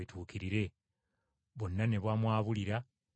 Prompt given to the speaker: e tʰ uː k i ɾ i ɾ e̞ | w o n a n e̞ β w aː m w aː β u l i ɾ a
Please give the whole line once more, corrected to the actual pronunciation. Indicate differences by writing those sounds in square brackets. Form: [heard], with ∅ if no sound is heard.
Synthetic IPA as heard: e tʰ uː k i ɾ i ɾ e̞ | [β] o [nː] a n e̞ β w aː m w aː β u l i ɾ a